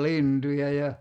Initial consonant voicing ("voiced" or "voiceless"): voiced